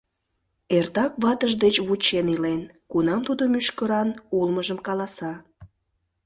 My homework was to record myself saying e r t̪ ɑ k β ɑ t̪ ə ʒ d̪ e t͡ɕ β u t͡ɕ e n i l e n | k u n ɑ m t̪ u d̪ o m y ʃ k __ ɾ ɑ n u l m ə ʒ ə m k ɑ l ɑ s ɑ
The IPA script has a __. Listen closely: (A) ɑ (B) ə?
B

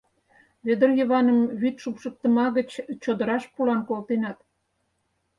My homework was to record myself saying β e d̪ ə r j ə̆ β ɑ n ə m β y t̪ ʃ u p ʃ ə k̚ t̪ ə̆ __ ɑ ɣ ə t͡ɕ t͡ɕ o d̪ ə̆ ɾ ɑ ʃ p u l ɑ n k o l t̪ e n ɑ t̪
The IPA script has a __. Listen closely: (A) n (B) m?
B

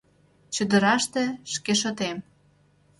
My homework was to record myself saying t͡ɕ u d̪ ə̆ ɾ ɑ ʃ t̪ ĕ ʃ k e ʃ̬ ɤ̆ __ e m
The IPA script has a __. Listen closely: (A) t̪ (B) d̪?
A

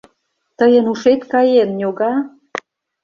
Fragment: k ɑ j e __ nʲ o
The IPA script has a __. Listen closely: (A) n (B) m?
A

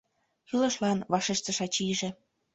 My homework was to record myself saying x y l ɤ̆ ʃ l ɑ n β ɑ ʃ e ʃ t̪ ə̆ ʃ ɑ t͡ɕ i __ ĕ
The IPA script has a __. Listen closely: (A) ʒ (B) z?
A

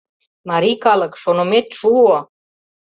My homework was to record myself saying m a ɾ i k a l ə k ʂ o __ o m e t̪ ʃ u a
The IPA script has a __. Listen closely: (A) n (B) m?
A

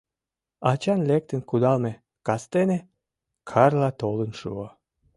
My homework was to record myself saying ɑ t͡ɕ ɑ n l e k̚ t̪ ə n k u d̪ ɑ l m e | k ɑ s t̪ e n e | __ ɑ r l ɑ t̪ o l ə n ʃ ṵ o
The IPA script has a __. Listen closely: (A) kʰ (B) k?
A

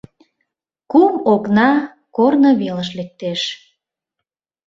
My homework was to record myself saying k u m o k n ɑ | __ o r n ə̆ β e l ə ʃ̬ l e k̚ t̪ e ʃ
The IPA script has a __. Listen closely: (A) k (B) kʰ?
A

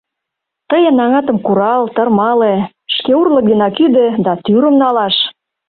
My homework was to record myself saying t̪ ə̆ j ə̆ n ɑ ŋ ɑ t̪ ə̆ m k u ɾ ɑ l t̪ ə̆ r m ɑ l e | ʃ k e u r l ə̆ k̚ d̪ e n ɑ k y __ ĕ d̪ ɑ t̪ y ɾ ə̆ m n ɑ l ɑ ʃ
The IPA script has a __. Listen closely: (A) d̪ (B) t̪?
A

